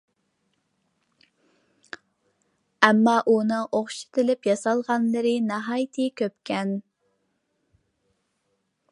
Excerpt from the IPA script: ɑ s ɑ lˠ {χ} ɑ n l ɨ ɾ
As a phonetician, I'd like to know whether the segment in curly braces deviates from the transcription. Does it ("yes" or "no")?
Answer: yes